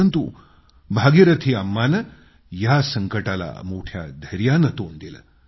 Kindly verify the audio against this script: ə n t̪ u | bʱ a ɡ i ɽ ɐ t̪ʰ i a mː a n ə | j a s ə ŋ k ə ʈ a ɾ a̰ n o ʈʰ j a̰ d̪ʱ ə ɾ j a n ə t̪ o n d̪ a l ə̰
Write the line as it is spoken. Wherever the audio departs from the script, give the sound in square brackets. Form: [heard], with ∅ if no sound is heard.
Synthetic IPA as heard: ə n t̪ u | bʱ a ɡ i [ɾ] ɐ t̪ʰ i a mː a n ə | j a s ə ŋ k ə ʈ a [l] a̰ [m] o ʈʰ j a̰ d̪ʱ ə ɾ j a n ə t̪ o n d̪ [i] l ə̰

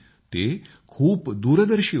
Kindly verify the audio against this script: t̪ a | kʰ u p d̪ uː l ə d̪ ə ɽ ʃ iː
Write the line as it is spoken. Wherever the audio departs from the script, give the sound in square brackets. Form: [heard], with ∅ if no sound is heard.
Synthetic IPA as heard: t̪ [e] | kʰ [uː] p d̪ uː [ɾ] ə d̪ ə [ɾ] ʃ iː

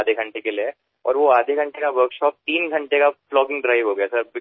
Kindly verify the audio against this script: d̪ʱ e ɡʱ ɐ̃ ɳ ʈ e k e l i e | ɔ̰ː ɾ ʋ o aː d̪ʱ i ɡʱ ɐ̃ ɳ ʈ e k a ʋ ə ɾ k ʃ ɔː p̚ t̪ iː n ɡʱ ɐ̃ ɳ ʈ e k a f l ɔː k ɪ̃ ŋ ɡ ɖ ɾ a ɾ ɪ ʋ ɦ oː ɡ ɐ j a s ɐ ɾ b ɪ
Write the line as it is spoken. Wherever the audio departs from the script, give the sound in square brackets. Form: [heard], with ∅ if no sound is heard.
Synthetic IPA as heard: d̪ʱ e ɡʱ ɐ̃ ɳ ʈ e k e l i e | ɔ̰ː ɾ ʋ o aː d̪ʱ [e] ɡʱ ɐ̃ ɳ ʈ e k a ʋ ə ɾ k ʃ ɔː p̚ t̪ iː n ɡʱ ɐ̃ ɳ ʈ e k a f l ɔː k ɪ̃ ŋ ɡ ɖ ɾ a [∅] ɪ ʋ ɦ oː ɡ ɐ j a s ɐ ɾ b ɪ

